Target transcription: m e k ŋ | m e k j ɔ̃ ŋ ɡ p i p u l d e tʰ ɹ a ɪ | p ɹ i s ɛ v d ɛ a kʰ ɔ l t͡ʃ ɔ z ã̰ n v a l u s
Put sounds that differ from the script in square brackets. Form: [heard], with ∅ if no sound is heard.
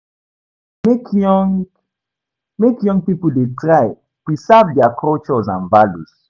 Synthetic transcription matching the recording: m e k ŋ | m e k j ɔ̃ ŋ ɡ p i p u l d e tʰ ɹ a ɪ | p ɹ i s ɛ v d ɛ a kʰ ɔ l t͡ʃ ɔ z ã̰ n v a l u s